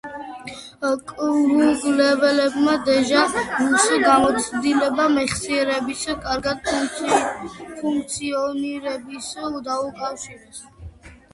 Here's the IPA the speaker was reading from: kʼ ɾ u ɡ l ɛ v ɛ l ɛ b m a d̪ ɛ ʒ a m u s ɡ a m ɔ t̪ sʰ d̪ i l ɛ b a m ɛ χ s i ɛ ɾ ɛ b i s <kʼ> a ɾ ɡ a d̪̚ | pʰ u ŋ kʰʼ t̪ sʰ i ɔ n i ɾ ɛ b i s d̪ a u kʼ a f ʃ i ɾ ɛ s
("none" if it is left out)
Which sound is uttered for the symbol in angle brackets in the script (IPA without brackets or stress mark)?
kʼ